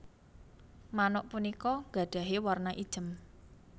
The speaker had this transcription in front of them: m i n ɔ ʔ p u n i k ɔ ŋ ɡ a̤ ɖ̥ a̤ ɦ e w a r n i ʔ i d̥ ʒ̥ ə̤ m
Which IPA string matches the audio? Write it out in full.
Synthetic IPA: m a n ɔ ʔ p u n i k ɔ ŋ ɡ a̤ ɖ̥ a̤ ɦ e w a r n a ʔ i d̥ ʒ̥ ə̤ m